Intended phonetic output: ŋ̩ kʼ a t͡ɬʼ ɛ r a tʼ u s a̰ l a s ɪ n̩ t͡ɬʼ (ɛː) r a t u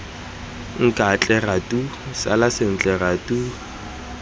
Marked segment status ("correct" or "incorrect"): incorrect